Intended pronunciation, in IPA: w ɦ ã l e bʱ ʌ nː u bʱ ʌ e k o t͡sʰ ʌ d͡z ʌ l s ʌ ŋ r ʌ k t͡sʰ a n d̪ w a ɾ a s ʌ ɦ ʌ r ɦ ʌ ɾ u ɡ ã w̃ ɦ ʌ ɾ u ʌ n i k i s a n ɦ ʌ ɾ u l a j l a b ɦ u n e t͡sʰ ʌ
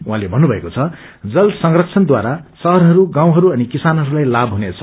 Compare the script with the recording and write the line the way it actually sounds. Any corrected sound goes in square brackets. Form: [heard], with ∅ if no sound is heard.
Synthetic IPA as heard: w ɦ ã l e bʱ ʌ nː u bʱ ʌ e k o t͡sʰ ʌ d͡z ʌ l s ʌ ŋ r ʌ k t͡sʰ [ʌ] n d̪ w a ɾ a s ʌ ɦ ʌ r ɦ ʌ ɾ u ɡ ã w̃ ɦ ʌ ɾ u ʌ n i k i s a n ɦ ʌ ɾ u l a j l a b ɦ u n e t͡sʰ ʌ